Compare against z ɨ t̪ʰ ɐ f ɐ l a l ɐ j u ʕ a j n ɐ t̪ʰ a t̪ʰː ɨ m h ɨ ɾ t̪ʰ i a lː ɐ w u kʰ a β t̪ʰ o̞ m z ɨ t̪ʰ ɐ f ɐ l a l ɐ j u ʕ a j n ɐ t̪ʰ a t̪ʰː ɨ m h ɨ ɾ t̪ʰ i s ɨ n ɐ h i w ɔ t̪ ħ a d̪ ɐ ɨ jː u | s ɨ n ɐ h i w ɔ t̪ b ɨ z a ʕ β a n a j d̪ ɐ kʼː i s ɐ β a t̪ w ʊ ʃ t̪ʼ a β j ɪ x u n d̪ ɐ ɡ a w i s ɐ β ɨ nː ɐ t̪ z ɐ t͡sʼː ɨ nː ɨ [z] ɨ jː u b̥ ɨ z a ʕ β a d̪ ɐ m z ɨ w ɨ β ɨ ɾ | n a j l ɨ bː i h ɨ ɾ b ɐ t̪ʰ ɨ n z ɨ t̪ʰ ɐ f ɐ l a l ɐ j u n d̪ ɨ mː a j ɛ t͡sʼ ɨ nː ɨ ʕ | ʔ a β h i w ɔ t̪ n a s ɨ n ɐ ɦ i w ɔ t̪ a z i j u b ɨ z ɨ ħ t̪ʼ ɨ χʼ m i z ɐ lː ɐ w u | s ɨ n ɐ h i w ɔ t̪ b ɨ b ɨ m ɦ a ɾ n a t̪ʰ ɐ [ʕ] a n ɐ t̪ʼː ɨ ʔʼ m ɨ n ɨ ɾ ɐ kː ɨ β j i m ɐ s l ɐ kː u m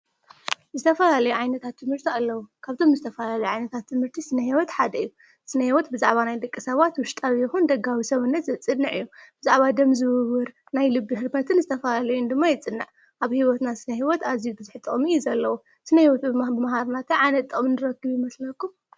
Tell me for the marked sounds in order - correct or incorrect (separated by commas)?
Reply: incorrect, correct